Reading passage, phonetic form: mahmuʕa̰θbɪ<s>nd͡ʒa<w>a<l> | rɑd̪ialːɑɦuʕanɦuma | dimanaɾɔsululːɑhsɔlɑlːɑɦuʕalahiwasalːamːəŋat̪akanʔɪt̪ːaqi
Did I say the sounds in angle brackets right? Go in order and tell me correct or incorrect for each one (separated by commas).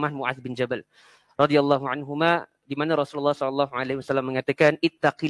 incorrect, incorrect, correct